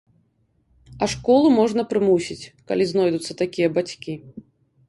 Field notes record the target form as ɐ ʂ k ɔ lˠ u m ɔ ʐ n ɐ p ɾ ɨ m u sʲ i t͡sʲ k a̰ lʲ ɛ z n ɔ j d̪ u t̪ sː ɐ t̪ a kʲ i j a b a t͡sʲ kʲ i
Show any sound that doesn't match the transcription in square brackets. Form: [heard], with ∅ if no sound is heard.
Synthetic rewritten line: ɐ ʂ k ɔ lˠ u m ɔ ʐ n ɐ p ɾ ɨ m u sʲ i t͡sʲ k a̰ lʲ [i] z n ɔ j d̪ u t̪ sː ɐ t̪ a kʲ i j [ɐ] b a t͡sʲ kʲ i